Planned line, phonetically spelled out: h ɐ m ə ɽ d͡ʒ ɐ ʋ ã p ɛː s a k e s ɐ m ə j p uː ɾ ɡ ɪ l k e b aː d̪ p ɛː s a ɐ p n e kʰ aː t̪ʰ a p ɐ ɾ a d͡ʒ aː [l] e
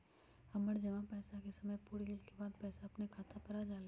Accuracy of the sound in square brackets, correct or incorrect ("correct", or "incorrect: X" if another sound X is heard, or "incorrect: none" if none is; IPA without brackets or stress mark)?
correct